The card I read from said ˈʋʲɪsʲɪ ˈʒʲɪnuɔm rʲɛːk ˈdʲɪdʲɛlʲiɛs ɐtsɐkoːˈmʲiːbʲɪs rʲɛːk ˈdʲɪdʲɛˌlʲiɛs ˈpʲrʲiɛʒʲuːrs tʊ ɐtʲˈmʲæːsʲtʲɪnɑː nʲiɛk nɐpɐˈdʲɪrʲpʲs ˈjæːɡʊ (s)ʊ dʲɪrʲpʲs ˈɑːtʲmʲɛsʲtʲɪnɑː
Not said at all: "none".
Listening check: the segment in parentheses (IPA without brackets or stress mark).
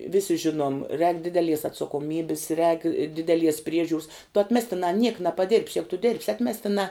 t